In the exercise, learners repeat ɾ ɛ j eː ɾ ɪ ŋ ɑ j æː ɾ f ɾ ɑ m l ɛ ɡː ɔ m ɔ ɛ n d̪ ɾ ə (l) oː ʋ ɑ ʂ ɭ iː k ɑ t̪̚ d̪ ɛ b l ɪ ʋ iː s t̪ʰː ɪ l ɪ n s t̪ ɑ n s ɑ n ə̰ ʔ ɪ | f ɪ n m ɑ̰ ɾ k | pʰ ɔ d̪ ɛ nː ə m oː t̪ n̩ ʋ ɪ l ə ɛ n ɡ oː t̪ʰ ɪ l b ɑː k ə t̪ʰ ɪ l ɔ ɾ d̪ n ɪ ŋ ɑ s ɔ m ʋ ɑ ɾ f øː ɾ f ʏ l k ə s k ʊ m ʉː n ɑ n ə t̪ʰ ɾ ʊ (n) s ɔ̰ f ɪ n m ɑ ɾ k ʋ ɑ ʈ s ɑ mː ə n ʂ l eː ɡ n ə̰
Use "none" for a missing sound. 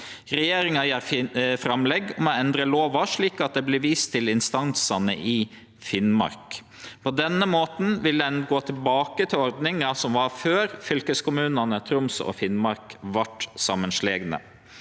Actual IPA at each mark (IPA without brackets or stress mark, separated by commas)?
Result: l, m